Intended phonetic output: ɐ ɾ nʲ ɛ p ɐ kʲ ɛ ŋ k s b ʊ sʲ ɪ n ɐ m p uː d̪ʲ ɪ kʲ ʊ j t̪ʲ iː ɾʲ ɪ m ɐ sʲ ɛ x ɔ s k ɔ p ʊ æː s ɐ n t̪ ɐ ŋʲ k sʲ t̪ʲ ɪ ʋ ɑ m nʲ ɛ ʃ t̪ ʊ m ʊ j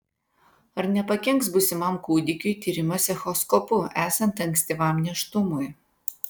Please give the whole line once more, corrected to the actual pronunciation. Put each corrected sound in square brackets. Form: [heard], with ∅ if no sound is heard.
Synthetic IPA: ɐ ɾ nʲ ɛ p ɐ kʲ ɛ ŋ k s b ʊ sʲ ɪ [m] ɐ m [k] uː d̪ʲ ɪ kʲ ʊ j t̪ʲ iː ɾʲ ɪ m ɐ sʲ ɛ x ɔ s k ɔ p ʊ æː s ɐ n t̪ ɐ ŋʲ k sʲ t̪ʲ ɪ ʋ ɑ m nʲ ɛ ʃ t̪ ʊ m ʊ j